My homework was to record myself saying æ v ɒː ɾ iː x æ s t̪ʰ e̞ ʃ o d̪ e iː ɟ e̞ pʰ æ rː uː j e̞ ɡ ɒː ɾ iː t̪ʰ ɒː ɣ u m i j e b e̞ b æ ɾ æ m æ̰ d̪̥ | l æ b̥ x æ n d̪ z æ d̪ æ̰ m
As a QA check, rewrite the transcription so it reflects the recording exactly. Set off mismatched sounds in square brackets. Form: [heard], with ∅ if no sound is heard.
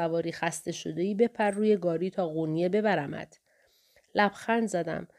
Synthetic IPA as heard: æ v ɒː ɾ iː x æ s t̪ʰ e̞ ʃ o d̪ e iː [b] e̞ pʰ æ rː uː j e̞ ɡ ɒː ɾ iː t̪ʰ ɒː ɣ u [n] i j e b e̞ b æ ɾ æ m æ̰ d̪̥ | l æ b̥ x æ n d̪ z æ d̪ æ̰ m